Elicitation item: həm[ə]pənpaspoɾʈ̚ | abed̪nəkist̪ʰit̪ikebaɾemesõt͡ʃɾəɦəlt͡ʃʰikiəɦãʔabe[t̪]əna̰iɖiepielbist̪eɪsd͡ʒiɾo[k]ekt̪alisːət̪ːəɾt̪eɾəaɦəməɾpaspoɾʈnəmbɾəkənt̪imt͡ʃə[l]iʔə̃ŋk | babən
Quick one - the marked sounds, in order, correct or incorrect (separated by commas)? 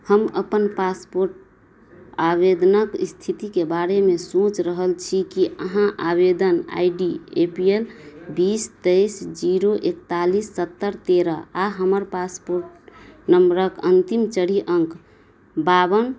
correct, incorrect, incorrect, incorrect